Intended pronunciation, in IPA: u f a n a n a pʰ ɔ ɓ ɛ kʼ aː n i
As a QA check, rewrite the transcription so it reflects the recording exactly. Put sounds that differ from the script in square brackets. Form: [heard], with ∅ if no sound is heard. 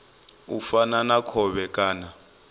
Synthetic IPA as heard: u f a n a n a [kʰ] ɔ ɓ ɛ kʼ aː n [a]